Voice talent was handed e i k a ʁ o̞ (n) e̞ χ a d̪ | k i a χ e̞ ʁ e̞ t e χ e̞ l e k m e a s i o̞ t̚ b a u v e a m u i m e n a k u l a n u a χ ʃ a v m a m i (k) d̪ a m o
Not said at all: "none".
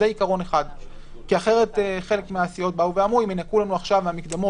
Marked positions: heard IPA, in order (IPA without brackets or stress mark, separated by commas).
n, k